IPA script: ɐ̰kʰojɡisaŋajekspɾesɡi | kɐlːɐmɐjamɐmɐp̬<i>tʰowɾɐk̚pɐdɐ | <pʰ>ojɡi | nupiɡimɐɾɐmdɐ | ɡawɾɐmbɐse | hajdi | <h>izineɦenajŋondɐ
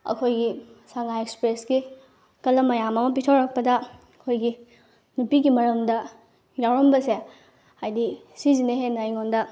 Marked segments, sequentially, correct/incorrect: correct, incorrect: kʰ, incorrect: s

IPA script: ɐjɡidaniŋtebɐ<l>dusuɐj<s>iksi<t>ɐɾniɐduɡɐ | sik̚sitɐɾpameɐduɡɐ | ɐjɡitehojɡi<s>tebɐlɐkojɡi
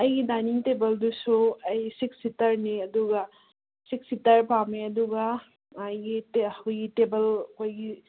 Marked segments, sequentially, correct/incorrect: correct, correct, correct, incorrect: none

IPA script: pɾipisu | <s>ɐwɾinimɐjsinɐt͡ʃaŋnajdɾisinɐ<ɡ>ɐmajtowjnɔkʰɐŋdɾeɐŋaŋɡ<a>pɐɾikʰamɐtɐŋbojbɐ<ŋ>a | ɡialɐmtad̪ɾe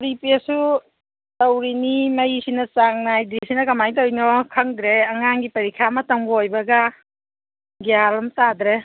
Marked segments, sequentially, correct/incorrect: incorrect: t, incorrect: k, incorrect: i, incorrect: ɡ

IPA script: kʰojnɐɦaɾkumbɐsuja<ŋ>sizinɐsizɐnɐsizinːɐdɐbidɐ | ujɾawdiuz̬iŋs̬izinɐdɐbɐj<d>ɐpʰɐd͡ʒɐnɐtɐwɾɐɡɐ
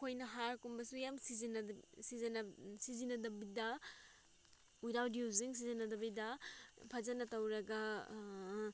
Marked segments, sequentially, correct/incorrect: incorrect: m, correct

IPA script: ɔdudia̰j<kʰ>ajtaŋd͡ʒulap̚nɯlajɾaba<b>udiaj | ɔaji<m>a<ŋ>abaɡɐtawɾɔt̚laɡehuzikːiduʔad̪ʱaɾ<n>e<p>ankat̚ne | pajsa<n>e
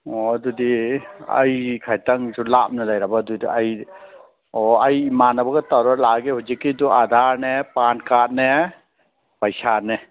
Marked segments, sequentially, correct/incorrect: correct, incorrect: d, correct, incorrect: n, correct, correct, correct

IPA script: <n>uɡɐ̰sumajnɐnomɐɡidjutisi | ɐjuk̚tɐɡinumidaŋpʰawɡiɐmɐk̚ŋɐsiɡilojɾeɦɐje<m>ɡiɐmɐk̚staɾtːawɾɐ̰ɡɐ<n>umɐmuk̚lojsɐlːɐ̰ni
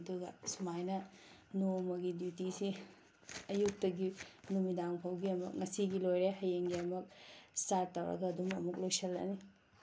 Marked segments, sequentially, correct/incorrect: incorrect: d, incorrect: ŋ, incorrect: d

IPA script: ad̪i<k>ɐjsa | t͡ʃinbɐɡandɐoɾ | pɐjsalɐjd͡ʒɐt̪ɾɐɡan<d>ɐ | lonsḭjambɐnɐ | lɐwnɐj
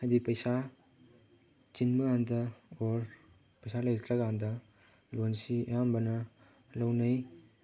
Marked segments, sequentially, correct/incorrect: incorrect: p, correct

